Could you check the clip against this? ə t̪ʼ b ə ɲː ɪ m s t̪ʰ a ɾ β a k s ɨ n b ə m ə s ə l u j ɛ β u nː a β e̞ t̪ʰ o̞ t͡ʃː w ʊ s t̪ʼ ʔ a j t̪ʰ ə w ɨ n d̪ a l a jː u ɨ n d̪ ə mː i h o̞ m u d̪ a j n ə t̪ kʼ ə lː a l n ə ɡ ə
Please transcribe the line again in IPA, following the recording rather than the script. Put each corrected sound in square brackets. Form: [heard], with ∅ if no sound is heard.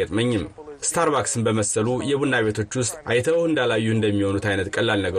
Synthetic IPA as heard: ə t̪ʼ [m] ə ɲː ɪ m s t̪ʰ a ɾ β a k s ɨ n b ə m ə s ə l u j ɛ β u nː a β e̞ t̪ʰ o̞ t͡ʃː w ʊ s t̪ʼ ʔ a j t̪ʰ ə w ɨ n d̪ a l a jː u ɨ n d̪ ə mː i h o̞ [n] u [t̪] a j n ə t̪ kʼ ə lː a l n ə ɡ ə